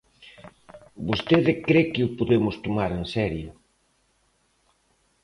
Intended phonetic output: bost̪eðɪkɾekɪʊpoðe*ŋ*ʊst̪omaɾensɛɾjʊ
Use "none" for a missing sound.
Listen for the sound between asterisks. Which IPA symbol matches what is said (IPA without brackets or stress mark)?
m